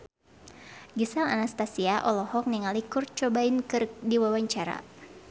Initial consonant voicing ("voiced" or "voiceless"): voiced